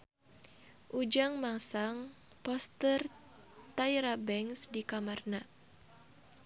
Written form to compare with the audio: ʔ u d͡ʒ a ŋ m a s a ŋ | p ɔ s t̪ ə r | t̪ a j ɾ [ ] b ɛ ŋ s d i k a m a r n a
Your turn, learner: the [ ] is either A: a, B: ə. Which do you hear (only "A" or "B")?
A